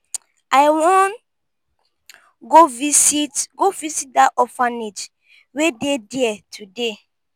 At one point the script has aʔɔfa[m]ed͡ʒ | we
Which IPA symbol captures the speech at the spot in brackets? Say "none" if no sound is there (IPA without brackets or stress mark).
n